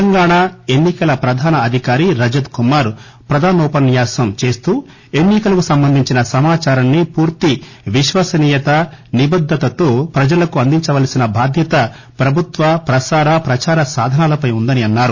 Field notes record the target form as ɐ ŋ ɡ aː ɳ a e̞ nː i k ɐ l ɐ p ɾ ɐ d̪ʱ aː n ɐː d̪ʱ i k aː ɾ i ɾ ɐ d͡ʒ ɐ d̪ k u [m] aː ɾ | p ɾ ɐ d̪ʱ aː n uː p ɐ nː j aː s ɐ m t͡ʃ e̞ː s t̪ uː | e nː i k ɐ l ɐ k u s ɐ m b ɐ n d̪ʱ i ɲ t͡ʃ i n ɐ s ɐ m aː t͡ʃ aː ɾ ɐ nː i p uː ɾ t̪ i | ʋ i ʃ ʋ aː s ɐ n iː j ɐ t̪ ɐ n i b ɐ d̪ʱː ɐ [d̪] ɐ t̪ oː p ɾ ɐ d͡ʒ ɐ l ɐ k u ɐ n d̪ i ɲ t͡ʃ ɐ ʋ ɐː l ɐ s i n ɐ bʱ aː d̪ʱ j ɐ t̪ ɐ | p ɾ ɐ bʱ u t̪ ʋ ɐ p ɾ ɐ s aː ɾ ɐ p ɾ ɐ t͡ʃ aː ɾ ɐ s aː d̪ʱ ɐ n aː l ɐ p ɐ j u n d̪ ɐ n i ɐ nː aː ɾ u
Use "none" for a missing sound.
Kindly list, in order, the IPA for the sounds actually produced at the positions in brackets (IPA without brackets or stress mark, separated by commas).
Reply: m, t̪